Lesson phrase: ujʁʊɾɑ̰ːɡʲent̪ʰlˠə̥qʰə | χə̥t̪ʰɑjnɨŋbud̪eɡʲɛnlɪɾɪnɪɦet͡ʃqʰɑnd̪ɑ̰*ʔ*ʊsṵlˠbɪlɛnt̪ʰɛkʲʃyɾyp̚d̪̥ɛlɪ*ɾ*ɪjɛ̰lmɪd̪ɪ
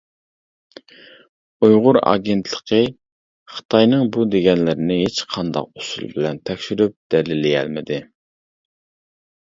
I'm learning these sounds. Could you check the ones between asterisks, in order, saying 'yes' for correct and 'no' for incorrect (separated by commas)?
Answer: no, no